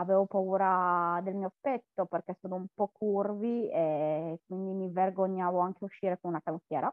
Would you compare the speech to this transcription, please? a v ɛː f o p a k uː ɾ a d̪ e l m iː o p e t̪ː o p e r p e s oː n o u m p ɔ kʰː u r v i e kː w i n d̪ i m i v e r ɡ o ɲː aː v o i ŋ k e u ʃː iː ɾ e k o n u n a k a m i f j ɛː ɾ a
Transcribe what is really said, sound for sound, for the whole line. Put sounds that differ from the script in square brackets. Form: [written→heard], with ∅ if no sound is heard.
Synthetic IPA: a v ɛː [f→v] o p a [k→∅] uː ɾ a d̪ e l m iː o p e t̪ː o p e r [p→k] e s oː n o u m p ɔ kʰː u r v i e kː w i n d̪ i m i v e r ɡ o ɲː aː v o [i→a] ŋ k e u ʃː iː ɾ e k o n u n a k a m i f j ɛː ɾ a